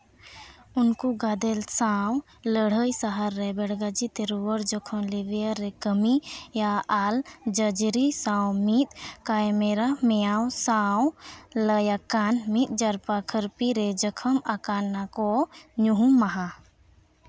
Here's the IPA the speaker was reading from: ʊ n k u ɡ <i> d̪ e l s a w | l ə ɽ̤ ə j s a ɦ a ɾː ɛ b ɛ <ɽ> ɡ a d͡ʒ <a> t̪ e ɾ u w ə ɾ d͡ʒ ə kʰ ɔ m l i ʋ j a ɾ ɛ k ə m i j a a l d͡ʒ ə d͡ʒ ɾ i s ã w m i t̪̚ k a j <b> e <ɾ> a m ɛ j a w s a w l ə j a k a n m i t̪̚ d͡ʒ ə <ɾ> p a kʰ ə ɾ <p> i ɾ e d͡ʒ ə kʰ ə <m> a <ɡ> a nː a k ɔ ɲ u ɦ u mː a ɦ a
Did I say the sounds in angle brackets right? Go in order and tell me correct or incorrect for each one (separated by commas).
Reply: incorrect, correct, incorrect, incorrect, correct, correct, correct, correct, incorrect